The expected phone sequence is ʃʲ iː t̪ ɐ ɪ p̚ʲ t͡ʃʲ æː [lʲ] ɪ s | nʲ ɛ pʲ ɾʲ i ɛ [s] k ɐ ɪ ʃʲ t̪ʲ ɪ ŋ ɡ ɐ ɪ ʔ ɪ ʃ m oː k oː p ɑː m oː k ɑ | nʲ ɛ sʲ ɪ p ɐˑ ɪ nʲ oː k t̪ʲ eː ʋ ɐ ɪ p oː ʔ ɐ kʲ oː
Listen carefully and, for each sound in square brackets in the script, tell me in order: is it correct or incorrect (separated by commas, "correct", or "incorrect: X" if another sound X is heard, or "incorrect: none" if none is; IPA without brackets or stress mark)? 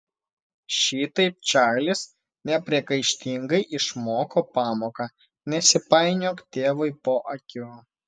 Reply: correct, incorrect: none